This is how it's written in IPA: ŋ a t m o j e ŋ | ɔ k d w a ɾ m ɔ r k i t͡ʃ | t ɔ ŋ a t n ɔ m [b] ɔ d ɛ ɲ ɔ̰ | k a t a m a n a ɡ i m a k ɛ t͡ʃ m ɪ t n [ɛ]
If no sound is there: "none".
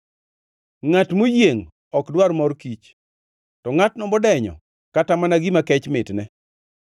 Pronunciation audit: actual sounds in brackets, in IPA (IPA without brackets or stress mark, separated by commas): b, ɛ